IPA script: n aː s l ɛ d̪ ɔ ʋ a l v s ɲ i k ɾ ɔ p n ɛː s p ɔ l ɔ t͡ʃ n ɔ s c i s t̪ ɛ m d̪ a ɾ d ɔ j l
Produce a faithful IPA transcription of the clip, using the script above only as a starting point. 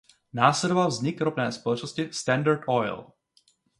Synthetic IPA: n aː s l ɛ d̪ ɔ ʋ a l v z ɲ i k ɾ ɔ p n ɛː s p ɔ l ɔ t͡ʃ n ɔ s c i s t̪ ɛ n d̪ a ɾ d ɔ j l